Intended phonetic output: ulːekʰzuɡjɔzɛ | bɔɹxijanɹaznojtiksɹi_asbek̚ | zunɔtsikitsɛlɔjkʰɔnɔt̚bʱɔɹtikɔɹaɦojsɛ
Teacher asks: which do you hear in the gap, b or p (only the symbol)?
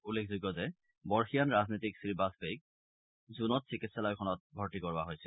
b